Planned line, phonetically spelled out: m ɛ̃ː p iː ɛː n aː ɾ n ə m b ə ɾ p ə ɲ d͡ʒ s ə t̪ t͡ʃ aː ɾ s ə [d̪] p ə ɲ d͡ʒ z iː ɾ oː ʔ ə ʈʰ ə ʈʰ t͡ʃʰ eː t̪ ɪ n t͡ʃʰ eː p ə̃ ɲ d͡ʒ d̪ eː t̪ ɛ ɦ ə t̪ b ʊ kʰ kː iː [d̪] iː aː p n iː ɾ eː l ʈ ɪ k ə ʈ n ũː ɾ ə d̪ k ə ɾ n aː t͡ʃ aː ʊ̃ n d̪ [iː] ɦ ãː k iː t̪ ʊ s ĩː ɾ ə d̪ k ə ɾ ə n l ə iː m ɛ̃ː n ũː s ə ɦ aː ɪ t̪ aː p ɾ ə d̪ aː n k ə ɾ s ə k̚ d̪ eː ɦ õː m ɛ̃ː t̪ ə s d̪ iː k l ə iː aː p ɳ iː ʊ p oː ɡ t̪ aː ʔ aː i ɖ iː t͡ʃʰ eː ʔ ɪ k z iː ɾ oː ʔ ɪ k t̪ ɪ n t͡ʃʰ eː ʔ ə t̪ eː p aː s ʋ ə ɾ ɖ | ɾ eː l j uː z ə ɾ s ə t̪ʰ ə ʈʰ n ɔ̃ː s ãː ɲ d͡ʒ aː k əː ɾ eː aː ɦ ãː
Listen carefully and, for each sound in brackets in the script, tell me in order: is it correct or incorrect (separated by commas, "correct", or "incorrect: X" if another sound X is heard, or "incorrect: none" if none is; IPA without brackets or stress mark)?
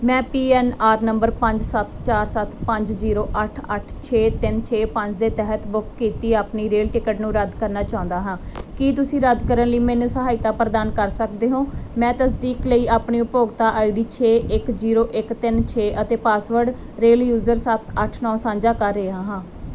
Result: incorrect: t̪, incorrect: t̪, incorrect: aː